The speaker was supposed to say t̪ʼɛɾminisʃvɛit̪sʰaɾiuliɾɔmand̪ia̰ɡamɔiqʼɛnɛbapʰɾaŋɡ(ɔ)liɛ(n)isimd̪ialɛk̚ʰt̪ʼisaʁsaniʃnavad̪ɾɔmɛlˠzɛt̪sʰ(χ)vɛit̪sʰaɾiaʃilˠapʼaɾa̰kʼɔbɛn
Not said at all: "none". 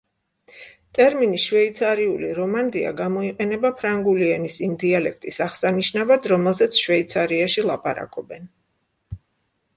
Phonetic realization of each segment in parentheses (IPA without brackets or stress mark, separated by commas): u, n, ʃ